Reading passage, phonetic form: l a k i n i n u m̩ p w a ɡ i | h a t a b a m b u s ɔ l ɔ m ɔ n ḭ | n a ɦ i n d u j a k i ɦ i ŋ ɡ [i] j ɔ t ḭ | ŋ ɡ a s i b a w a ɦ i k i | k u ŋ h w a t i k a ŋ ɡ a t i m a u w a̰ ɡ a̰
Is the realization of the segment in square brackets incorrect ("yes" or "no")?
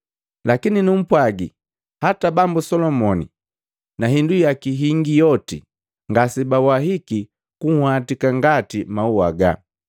no